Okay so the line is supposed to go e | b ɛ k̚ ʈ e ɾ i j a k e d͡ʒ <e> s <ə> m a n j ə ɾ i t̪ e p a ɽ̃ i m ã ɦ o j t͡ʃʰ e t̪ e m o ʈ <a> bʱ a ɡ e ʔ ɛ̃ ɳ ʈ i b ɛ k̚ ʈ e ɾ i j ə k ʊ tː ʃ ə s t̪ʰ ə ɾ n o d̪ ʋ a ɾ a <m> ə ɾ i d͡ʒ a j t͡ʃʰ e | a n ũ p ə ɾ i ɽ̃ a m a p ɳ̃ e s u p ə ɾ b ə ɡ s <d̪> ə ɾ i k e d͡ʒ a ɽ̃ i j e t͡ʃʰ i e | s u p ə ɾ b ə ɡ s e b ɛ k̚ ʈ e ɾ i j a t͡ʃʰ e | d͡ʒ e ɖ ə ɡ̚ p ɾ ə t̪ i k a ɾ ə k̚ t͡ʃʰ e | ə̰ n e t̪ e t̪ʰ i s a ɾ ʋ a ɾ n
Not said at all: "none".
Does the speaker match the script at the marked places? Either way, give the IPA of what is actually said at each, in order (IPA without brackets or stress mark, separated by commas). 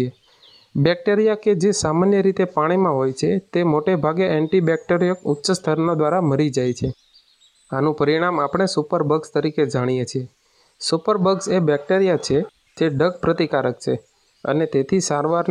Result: e, a, e, m, t̪